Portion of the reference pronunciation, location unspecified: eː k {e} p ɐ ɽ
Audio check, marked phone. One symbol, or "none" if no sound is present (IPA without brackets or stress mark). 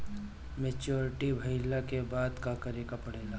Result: a